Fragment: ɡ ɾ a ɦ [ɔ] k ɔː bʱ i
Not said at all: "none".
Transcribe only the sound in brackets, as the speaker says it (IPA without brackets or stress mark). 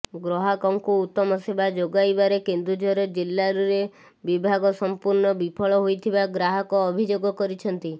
ɔ